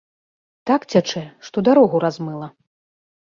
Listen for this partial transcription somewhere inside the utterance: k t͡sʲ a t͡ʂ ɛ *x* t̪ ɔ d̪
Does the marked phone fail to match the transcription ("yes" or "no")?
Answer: yes